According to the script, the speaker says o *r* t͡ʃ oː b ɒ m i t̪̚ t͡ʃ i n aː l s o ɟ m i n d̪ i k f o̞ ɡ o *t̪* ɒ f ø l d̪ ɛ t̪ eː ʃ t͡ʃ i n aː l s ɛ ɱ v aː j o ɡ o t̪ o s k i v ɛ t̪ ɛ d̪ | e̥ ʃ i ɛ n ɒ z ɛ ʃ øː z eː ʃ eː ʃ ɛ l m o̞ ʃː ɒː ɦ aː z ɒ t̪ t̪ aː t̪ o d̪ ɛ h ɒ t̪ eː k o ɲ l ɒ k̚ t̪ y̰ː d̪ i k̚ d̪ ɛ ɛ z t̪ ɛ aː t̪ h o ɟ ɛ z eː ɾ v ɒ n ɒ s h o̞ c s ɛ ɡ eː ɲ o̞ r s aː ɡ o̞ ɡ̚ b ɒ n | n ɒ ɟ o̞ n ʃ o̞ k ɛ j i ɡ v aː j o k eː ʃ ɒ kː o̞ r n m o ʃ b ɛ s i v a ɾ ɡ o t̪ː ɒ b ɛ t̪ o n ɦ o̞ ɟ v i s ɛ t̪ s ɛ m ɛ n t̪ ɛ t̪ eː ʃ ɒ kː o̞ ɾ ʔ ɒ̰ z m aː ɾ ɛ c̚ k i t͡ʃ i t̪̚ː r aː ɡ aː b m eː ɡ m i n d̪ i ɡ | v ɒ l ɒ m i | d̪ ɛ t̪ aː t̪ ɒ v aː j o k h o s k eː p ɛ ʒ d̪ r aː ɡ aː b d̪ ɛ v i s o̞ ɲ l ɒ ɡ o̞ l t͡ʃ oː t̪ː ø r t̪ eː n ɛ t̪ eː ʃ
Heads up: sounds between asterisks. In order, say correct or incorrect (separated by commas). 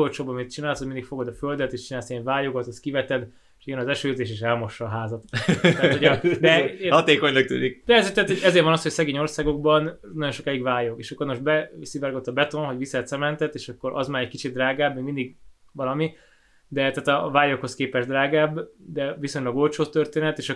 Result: incorrect, incorrect